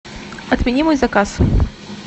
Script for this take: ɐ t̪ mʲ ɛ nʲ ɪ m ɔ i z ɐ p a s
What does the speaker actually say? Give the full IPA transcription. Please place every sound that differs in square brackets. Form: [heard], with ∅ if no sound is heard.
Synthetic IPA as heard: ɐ t̪ mʲ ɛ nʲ [i] m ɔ [j] z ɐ [k] a s